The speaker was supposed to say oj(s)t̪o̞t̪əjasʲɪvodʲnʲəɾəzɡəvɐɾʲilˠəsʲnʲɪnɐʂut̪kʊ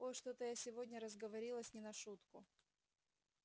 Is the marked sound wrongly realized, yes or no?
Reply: yes